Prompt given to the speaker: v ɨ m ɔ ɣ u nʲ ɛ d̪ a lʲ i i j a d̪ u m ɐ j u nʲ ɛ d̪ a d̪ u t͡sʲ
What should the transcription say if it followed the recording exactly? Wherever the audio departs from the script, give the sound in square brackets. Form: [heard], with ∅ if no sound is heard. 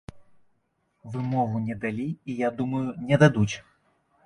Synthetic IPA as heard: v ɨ m ɔ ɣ u nʲ ɛ d̪ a lʲ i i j a d̪ u m ɐ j u nʲ ɛ d̪ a d̪ u t͡sʲ